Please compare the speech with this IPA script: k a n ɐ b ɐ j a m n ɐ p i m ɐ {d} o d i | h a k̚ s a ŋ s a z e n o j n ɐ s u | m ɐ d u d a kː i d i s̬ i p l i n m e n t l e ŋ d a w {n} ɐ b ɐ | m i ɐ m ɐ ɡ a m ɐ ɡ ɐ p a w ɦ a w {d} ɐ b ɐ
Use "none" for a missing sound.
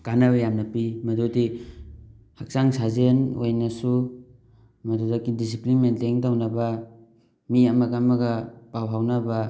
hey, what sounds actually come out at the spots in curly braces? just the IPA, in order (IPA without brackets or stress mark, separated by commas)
d, n, n